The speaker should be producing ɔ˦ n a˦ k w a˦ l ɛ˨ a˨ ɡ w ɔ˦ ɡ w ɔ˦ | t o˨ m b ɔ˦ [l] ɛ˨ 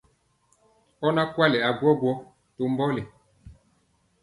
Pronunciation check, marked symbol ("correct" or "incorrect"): correct